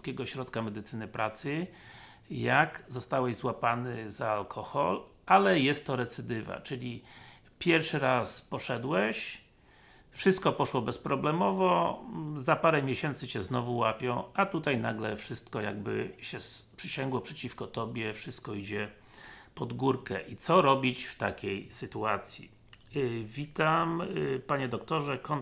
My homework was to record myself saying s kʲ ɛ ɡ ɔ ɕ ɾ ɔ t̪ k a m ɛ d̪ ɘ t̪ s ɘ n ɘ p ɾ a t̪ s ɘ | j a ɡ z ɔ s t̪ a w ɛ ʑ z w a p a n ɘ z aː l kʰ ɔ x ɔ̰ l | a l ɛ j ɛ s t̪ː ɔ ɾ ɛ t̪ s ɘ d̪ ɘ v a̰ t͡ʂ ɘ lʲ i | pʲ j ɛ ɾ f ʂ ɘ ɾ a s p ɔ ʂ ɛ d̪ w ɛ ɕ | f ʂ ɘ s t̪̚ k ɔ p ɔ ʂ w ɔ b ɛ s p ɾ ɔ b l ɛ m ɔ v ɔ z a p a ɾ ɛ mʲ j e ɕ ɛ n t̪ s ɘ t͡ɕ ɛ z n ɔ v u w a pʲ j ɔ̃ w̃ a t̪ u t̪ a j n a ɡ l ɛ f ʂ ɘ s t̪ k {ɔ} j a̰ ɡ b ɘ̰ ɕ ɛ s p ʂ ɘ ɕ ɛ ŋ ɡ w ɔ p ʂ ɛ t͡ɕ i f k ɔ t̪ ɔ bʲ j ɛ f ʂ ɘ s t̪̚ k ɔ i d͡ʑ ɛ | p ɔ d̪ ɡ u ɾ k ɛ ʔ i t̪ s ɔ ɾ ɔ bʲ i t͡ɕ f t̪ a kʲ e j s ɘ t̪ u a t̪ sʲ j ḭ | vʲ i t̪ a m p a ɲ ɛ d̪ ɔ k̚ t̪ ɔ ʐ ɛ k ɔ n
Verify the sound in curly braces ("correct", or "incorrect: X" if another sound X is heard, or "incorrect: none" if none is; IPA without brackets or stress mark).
correct